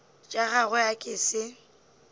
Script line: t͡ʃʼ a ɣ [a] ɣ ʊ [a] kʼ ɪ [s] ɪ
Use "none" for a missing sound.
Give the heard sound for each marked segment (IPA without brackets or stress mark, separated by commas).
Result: a, a, s